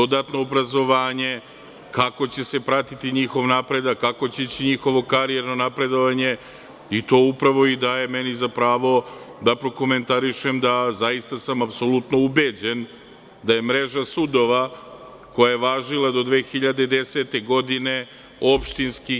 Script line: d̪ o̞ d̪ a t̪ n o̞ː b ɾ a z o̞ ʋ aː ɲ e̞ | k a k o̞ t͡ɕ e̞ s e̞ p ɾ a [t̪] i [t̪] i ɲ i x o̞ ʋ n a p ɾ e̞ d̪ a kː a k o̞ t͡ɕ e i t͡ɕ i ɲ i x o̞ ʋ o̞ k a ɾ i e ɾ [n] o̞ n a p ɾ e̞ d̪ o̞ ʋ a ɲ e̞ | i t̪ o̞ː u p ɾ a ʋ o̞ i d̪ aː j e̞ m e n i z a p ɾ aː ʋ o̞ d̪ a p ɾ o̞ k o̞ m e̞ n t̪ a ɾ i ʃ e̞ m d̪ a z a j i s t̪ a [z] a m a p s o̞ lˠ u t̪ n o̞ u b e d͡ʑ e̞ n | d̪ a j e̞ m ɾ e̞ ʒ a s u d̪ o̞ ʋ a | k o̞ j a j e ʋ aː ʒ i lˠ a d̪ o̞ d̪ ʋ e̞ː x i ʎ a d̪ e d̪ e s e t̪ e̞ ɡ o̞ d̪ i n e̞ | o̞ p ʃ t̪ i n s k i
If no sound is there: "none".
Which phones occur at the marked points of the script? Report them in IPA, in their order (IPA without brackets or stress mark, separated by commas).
t̪, t̪, n, s